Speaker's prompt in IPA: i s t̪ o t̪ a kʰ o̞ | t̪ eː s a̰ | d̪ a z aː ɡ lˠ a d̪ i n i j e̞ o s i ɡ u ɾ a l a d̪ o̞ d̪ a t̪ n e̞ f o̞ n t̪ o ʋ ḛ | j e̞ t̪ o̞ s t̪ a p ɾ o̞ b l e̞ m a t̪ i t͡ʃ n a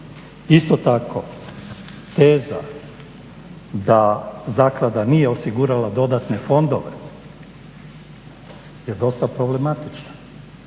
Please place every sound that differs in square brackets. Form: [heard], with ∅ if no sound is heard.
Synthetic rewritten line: i s t̪ o t̪ a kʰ o̞ | t̪ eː [z] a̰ | d̪ a z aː [k] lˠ a d̪ [a] n i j e̞ o s i ɡ u ɾ a l a d̪ o̞ d̪ a t̪ n e̞ f o̞ n [d̪] o ʋ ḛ | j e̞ [d̪] o̞ s t̪ a p ɾ o̞ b l e̞ m a t̪ i t͡ʃ n a